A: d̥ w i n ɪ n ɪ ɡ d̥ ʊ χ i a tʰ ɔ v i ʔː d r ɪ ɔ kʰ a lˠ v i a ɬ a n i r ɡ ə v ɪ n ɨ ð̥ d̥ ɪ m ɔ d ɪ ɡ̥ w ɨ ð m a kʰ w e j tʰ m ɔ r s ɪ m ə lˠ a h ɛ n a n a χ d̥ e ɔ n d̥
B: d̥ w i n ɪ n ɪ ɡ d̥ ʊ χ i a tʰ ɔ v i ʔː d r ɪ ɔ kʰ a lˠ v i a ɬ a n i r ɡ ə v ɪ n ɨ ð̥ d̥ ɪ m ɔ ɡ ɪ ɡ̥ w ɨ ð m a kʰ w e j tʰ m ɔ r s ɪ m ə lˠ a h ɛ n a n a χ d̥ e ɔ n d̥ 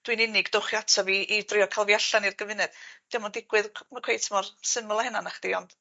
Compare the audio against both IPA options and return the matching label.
A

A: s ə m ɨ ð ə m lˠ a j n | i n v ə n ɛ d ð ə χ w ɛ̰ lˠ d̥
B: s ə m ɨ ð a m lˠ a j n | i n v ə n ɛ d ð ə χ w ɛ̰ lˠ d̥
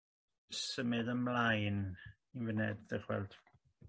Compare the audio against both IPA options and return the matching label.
A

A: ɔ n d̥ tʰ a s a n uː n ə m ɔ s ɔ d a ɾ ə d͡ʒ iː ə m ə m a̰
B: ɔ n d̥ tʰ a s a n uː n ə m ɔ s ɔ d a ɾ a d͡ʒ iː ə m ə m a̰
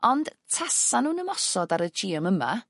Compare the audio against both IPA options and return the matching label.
A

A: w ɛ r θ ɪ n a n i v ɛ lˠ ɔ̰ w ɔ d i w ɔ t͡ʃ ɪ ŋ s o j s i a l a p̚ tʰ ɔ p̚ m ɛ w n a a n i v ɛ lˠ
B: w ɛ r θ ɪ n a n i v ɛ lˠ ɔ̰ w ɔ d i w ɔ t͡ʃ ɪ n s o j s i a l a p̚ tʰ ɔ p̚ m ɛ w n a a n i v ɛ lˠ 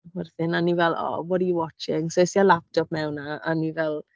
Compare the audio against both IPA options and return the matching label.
A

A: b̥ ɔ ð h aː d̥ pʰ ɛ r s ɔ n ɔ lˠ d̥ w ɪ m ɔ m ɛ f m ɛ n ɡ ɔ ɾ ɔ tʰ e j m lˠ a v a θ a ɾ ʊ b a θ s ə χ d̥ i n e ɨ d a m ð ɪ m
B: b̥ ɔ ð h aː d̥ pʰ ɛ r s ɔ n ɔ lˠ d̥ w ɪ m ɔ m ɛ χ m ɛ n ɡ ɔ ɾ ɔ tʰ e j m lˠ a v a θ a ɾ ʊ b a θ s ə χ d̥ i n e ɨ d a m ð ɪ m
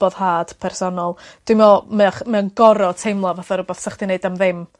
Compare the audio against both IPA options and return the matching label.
B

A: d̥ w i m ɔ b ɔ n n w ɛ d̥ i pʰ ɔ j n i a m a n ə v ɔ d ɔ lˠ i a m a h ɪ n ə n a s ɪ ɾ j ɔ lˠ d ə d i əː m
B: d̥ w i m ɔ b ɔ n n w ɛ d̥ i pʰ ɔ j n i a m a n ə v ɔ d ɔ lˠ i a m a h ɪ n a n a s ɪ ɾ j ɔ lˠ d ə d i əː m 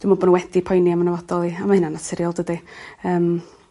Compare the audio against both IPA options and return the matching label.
B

